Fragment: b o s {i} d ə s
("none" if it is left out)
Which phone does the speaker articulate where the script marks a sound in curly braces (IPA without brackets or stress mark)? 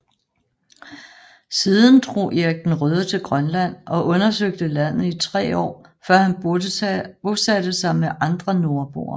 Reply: æ